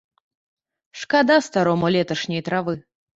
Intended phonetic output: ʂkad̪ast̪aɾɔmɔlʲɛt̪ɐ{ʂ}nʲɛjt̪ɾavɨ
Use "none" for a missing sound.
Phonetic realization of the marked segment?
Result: ʂ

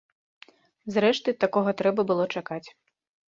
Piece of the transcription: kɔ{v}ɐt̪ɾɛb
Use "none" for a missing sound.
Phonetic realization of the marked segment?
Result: ɣ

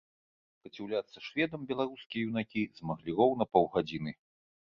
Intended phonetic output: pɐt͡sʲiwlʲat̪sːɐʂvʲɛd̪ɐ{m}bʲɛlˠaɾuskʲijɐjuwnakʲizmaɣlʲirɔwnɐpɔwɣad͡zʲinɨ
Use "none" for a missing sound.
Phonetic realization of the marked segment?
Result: m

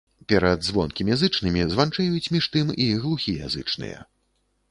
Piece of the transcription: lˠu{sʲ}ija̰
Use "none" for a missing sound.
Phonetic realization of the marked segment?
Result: xʲ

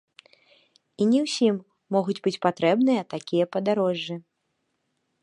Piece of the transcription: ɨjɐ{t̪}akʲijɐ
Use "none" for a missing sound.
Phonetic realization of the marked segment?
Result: t̪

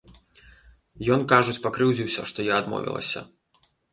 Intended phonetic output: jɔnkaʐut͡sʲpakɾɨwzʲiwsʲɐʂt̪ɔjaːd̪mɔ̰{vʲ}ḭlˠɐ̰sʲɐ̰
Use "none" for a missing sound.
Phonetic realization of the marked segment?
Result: vʲ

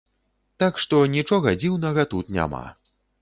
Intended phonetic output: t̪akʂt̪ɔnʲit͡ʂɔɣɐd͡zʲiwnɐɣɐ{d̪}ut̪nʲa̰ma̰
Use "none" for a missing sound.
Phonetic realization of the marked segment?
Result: t̪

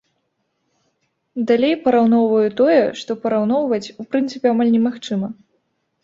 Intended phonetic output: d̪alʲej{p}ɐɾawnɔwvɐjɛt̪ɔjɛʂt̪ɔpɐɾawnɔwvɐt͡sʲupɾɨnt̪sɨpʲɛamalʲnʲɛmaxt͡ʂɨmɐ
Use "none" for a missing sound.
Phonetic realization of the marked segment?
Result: p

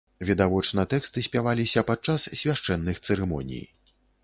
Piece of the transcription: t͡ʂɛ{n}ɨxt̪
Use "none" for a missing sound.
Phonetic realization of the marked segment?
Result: nː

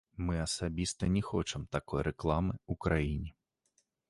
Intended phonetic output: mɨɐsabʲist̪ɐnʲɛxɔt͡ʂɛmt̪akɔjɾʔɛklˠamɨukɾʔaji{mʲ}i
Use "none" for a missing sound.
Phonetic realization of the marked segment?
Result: nʲ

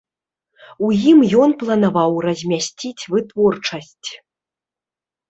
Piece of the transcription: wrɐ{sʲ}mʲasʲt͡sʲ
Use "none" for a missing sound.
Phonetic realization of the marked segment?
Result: zʲ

